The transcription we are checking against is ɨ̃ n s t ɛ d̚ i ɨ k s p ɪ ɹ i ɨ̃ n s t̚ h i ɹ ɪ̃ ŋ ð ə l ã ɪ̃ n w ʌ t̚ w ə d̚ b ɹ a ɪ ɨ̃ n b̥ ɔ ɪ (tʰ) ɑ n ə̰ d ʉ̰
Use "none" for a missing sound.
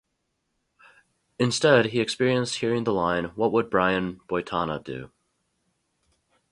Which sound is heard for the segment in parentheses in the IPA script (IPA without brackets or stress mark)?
tʰ